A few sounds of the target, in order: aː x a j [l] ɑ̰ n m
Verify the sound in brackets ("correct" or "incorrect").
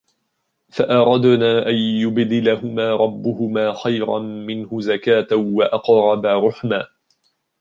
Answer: incorrect